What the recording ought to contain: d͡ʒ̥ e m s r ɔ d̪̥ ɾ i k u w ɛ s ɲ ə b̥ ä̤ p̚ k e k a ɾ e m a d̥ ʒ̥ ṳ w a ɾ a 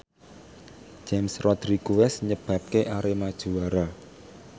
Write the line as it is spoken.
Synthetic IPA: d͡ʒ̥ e m s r ɔ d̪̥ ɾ i k u w ɛ s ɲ ə b̥ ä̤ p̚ k e ʔ a ɾ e m a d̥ ʒ̥ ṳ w a ɾ a